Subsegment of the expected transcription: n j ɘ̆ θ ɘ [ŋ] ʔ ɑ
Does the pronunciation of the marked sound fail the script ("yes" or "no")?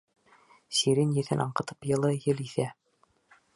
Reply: yes